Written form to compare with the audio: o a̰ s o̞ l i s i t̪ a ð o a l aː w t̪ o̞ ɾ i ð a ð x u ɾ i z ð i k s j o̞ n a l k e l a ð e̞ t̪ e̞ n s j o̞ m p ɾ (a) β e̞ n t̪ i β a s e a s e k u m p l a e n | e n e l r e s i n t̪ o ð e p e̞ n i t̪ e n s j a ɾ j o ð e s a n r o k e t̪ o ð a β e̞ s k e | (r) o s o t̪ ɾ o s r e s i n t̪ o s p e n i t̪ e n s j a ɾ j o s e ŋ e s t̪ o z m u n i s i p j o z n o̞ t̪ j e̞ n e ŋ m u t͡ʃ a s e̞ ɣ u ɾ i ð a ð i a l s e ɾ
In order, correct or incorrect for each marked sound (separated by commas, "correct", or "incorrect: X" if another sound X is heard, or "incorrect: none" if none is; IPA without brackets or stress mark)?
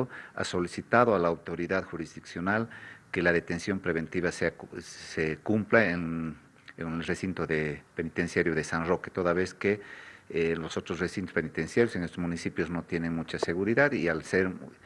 incorrect: e, incorrect: l